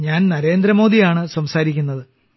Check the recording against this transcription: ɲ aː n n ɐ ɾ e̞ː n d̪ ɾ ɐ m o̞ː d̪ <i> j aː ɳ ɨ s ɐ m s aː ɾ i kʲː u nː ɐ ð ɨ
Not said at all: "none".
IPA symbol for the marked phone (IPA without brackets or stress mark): i